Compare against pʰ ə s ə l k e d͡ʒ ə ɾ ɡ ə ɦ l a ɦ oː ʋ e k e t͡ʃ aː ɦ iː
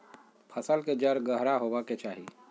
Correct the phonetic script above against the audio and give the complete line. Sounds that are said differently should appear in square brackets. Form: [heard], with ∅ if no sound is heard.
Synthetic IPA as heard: pʰ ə s ə l k e d͡ʒ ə ɾ ɡ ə ɦ [ɾ] a ɦ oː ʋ [a] k e t͡ʃ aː ɦ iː